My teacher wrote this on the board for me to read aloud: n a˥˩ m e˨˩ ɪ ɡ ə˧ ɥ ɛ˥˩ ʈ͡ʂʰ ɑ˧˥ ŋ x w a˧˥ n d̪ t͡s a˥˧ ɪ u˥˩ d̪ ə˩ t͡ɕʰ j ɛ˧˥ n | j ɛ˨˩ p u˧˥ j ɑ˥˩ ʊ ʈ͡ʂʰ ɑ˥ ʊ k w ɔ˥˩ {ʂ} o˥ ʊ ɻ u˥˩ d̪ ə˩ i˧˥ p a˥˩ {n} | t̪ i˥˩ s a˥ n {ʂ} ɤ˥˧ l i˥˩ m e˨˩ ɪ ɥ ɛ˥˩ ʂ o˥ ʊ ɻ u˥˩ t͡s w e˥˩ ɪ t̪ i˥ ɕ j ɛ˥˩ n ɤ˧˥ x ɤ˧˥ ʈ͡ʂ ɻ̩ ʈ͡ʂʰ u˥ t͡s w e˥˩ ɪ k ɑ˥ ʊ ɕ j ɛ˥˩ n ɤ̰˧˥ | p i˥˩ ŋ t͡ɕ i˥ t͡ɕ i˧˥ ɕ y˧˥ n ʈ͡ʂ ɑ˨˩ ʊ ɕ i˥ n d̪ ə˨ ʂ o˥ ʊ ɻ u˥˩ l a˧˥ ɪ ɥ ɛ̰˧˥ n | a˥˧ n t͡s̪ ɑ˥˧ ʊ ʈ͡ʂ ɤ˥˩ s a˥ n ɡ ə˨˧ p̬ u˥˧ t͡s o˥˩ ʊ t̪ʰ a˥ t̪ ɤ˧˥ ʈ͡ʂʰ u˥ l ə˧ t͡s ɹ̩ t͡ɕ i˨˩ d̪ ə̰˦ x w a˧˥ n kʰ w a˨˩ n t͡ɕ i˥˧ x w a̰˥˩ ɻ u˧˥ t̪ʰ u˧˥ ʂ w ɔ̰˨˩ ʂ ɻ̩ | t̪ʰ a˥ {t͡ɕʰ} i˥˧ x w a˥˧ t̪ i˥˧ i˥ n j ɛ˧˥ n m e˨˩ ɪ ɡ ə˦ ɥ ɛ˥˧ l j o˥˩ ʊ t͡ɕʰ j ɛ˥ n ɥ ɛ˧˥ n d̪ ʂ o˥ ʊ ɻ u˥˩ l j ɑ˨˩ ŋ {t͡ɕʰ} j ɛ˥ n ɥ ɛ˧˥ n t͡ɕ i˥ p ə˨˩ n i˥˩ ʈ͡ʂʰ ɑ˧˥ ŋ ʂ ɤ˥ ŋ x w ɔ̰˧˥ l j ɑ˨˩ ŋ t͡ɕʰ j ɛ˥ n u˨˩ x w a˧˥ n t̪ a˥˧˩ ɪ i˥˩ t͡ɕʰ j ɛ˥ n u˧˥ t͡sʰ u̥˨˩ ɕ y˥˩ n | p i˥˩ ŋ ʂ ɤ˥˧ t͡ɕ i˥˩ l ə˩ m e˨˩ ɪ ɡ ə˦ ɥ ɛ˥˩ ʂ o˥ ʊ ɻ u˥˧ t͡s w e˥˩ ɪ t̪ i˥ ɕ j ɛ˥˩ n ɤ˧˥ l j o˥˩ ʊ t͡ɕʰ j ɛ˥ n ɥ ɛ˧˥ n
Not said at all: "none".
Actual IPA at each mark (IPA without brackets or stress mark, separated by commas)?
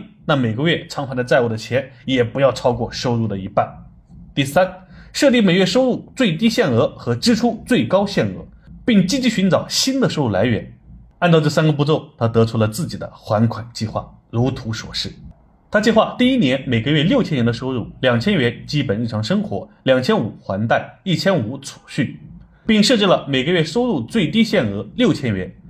ʂ, n, ʂ, t͡ɕ, t͡ɕʰ